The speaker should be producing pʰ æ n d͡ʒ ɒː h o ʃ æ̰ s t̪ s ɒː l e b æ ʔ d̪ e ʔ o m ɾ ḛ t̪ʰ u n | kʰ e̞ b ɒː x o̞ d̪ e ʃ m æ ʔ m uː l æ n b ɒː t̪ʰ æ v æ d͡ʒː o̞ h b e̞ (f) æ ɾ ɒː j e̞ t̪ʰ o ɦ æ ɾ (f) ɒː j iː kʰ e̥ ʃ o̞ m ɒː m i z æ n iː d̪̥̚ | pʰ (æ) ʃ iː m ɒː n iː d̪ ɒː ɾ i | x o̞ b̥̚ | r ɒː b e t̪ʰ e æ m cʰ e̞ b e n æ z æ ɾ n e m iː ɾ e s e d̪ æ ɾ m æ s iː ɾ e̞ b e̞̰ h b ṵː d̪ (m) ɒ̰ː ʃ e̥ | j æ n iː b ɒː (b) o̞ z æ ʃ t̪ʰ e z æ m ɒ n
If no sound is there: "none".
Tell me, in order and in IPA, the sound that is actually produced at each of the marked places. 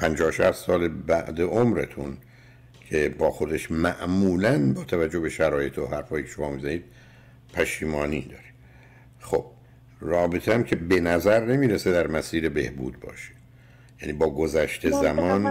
ʃ, f, æ, b, ɡ

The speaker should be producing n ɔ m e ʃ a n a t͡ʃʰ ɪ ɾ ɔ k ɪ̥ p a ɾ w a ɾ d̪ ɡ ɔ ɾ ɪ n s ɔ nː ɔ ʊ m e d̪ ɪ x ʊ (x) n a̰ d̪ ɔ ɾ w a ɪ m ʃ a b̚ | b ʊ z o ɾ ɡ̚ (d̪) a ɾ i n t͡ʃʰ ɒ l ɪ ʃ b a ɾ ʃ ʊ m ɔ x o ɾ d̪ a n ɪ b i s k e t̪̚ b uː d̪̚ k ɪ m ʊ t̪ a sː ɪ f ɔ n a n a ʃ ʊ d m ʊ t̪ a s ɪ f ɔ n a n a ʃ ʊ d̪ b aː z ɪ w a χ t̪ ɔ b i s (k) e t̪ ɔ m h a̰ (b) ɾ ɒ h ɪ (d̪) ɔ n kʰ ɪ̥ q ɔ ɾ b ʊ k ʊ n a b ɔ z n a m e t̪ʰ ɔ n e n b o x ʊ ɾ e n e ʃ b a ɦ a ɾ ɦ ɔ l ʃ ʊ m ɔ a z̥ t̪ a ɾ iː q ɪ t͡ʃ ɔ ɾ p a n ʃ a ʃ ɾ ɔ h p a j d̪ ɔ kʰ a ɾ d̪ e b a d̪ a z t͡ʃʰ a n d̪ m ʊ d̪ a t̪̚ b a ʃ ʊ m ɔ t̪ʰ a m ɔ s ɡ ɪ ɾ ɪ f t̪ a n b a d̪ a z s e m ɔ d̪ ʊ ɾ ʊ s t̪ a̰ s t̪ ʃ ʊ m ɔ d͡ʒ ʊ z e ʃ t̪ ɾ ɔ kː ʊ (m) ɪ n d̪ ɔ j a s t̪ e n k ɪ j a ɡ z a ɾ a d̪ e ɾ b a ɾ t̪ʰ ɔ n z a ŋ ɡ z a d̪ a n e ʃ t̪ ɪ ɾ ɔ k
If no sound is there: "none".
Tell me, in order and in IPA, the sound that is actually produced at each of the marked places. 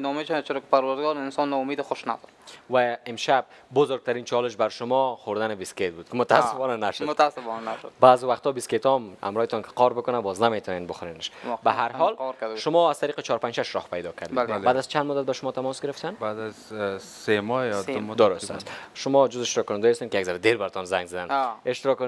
ʃ, t̪, k, m, t̪, n

